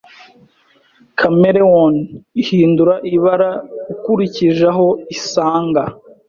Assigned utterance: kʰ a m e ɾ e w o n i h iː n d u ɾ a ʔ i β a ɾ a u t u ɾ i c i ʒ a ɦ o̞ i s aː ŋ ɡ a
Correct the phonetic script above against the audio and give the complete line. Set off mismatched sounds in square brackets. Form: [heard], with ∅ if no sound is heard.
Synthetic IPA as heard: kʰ a m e ɾ e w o n i h iː n d u ɾ a ʔ i β a ɾ a u [k] u ɾ i c i ʒ a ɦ o̞ i s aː ŋ ɡ a